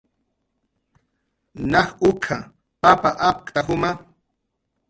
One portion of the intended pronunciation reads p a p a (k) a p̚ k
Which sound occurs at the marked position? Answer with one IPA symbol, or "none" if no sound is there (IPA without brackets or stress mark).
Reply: ʔ